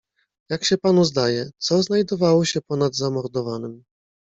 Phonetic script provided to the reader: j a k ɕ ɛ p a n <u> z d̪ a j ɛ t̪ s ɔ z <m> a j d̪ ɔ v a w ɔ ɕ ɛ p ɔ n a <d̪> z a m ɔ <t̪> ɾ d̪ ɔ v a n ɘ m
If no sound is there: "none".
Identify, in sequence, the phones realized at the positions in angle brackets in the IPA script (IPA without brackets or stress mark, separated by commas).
u, n, d̪, none